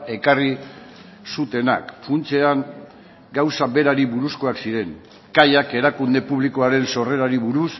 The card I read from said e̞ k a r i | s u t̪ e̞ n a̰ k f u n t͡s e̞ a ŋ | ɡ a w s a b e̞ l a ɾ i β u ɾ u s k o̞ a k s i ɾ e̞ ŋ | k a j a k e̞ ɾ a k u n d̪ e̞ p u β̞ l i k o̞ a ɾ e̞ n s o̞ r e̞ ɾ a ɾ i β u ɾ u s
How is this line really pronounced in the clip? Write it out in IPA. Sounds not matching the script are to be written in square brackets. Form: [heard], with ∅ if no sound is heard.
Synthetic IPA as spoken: e̞ k a r i | s u t̪ e̞ n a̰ k f u n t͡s e̞ a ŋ | ɡ a w s a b e̞ [ɾ] a ɾ i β u ɾ u s k o̞ a k s i ɾ e̞ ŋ | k a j a k e̞ ɾ a k u n d̪ e̞ p u β̞ l i k o̞ a ɾ e̞ n s o̞ r e̞ ɾ a ɾ i β u ɾ u s

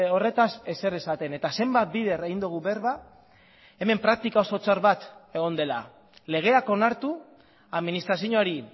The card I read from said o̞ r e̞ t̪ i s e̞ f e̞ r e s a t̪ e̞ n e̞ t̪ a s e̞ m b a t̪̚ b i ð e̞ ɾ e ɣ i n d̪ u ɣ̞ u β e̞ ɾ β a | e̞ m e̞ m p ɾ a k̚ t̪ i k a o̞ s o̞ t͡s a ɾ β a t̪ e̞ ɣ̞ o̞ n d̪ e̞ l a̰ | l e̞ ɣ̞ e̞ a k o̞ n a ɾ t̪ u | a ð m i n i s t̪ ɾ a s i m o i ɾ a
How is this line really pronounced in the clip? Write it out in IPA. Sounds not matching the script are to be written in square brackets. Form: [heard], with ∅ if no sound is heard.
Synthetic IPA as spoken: o̞ r e̞ t̪ [a] s e̞ [s] e̞ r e s a t̪ e̞ n e̞ t̪ a s e̞ m b a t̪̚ b i ð e̞ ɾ e ɣ i n d̪ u ɣ̞ u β e̞ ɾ β a | e̞ m e̞ m p ɾ a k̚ t̪ i k a o̞ s o̞ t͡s a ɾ β a t̪ e̞ ɣ̞ o̞ n d̪ e̞ l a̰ | l e̞ ɣ̞ e̞ a k o̞ n a ɾ t̪ u | a ð m i n i s t̪ ɾ a s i [ɲ] o [a] ɾ [i]

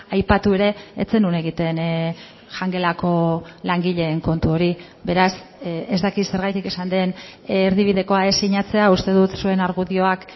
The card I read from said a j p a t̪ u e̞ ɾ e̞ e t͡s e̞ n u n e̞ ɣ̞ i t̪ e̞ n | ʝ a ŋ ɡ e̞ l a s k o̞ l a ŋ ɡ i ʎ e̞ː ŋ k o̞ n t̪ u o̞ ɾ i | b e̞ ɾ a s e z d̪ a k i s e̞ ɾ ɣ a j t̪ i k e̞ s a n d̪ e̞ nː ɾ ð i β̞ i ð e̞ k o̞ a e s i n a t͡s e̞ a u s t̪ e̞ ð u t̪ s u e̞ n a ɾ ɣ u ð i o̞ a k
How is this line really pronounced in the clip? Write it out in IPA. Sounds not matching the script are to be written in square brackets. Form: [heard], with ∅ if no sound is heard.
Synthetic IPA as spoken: a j p a t̪ u e̞ ɾ e̞ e t͡s e̞ n u n e̞ ɣ̞ i t̪ e̞ n | ʝ a ŋ ɡ e̞ l a [∅] k o̞ l a ŋ ɡ i ʎ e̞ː ŋ k o̞ n t̪ u o̞ ɾ i | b e̞ ɾ a s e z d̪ a k i s e̞ ɾ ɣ a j t̪ i k e̞ s a n d̪ e̞ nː ɾ ð i β̞ i ð e̞ k o̞ a e s i [ɲ] a t͡s e̞ a u s t̪ e̞ ð u t̪ s u e̞ n a ɾ ɣ u ð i o̞ a k

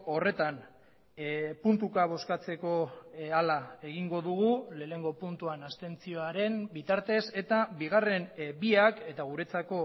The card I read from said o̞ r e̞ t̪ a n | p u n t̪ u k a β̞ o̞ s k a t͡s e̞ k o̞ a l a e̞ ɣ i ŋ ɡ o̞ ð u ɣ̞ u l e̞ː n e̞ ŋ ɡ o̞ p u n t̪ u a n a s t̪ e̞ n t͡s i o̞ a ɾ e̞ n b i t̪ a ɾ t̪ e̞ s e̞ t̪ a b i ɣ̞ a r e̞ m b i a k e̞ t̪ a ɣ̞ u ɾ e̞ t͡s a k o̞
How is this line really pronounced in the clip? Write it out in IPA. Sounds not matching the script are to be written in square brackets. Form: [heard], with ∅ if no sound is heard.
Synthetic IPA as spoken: o̞ r e̞ t̪ a n | p u n t̪ u k a β̞ o̞ s k a t͡s e̞ k o̞ a l a e̞ ɣ i ŋ ɡ o̞ ð u ɣ̞ u l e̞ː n e̞ ŋ ɡ o̞ p u n t̪ u a n a s t̪ e̞ n t͡s i o̞ a ɾ e̞ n b i t̪ a ɾ t̪ e̞ s e̞ t̪ a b i ɣ̞ a r e̞ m b i a k e̞ t̪ a ɣ̞ u ɾ e̞ t͡s a k o̞

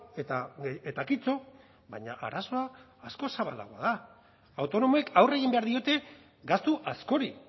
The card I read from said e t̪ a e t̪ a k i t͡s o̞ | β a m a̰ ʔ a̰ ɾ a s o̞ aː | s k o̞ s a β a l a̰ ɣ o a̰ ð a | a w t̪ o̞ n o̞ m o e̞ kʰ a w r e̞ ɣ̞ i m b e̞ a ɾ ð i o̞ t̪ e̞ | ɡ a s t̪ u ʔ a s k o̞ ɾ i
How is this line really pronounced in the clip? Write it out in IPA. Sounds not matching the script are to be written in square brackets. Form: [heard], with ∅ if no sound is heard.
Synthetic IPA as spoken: e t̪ a e t̪ a k i t͡s o̞ | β a [ɲ] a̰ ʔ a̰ ɾ a s o̞ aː | s k o̞ s a β a l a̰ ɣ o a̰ ð a | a w t̪ o̞ n o̞ m o e̞ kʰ a w r e̞ ɣ̞ i m b e̞ a ɾ ð i o̞ t̪ e̞ | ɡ a s t̪ u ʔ a s k o̞ ɾ i

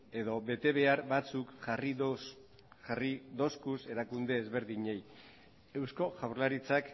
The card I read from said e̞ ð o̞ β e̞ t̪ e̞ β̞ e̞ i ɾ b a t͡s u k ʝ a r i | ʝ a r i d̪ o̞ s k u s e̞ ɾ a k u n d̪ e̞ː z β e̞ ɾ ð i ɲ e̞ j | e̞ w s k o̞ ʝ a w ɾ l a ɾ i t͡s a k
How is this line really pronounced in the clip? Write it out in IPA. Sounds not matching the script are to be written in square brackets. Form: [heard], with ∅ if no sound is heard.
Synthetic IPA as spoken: e̞ ð o̞ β e̞ t̪ e̞ β̞ e̞ [a] ɾ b a t͡s u k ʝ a r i | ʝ a r i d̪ o̞ s k u s e̞ ɾ a k u n d̪ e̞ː z β e̞ ɾ ð i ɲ e̞ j | e̞ w s k o̞ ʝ a w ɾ l a ɾ i t͡s a k

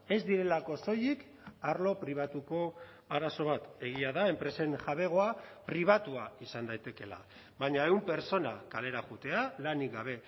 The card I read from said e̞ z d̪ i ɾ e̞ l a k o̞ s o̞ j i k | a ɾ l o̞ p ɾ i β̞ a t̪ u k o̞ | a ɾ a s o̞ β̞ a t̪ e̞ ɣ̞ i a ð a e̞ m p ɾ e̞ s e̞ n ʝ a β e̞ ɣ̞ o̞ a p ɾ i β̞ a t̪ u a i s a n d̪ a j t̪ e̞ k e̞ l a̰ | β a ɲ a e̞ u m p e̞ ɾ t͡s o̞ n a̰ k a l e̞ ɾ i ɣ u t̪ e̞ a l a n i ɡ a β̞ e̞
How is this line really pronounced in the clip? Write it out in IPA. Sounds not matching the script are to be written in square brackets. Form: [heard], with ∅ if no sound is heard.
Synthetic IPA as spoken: e̞ z d̪ i ɾ e̞ l a k o̞ s o̞ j i k | a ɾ l o̞ p ɾ i β̞ a t̪ u k o̞ | a ɾ a s o̞ β̞ a t̪ e̞ ɣ̞ i a ð a e̞ m p ɾ e̞ s e̞ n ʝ a β e̞ ɣ̞ o̞ a p ɾ i β̞ a t̪ u a i s a n d̪ a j t̪ e̞ k e̞ l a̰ | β a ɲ a e̞ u m p e̞ ɾ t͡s o̞ n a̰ k a l e̞ ɾ [a] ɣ u t̪ e̞ a l a n i ɡ a β̞ e̞

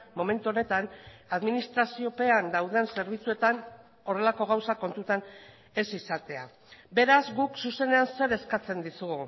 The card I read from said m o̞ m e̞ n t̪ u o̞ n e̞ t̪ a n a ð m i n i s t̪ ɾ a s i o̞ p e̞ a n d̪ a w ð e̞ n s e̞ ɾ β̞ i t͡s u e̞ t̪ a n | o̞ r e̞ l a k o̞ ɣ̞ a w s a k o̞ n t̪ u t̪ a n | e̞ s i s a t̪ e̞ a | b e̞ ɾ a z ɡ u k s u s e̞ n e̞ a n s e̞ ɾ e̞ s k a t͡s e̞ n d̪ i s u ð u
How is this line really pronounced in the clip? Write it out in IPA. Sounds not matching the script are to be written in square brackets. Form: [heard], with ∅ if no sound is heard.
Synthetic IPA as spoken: m o̞ m e̞ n t̪ u o̞ n e̞ t̪ a n a ð m i n i s t̪ ɾ a s i o̞ p e̞ a n d̪ a w ð e̞ n s e̞ ɾ β̞ i t͡s u e̞ t̪ a n | o̞ r e̞ l a k o̞ ɣ̞ a w s a k o̞ n t̪ u t̪ a n | e̞ s i s a t̪ e̞ a | b e̞ ɾ a z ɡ u k s u s e̞ n e̞ a n s e̞ ɾ e̞ s k a t͡s e̞ n d̪ i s u [ɣ] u

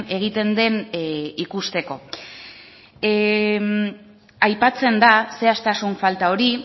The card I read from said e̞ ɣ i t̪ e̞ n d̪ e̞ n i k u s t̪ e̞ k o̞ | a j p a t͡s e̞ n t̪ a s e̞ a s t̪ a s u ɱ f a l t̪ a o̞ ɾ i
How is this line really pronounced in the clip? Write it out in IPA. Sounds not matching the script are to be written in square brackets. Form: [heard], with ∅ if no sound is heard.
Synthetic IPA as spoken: e̞ ɣ i t̪ e̞ n d̪ e̞ n i k u s t̪ e̞ k o̞ | a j p a t͡s e̞ n [d̪] a s e̞ a s t̪ a s u ɱ f a l t̪ a o̞ ɾ i

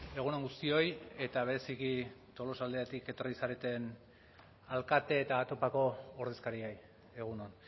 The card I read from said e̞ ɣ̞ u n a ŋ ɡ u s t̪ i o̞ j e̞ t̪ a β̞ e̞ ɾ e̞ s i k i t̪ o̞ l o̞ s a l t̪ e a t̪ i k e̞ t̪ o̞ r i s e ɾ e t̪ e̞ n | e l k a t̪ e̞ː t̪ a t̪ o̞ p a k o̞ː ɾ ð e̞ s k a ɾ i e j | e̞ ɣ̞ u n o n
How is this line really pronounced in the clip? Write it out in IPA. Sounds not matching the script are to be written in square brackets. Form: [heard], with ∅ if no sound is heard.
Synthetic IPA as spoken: e̞ ɣ̞ u n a ŋ ɡ u s t̪ i o̞ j e̞ t̪ a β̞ e̞ ɾ e̞ s i k i t̪ o̞ l o̞ s a l [d̪] e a t̪ i k e̞ t̪ o̞ r i s [a] ɾ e t̪ e̞ n | [a] l k a t̪ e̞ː t̪ a t̪ o̞ p a k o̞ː ɾ ð e̞ s k a ɾ i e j | e̞ ɣ̞ u n o n

